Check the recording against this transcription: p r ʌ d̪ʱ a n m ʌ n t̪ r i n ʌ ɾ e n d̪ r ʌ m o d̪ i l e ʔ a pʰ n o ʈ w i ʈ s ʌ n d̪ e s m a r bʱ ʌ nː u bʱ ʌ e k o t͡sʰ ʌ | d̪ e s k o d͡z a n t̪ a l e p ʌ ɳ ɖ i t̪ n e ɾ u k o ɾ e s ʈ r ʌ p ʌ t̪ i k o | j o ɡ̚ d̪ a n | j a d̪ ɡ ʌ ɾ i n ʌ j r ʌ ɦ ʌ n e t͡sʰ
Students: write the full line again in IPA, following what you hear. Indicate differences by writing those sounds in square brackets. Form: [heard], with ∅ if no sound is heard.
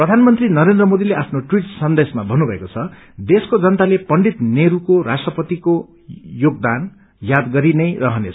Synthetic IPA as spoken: p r ʌ d̪ʱ a n m ʌ n t̪ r i n ʌ ɾ e n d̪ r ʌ m o d̪ i l e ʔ a pʰ n o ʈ w i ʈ s ʌ n d̪ e s m a [∅] bʱ ʌ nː u bʱ ʌ e k o t͡sʰ ʌ | d̪ e s k o d͡z [ʌ] n t̪ a l e p ʌ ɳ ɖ i t̪ n e ɾ u k o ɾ [a] s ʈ r ʌ p ʌ t̪ i k o | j o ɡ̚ d̪ a n | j a d̪ ɡ ʌ ɾ i n ʌ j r ʌ ɦ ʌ n e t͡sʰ